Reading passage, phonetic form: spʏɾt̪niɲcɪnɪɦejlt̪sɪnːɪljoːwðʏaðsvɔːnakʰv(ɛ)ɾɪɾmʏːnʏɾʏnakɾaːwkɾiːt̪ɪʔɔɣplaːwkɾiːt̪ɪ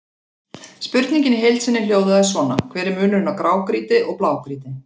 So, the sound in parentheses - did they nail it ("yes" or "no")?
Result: no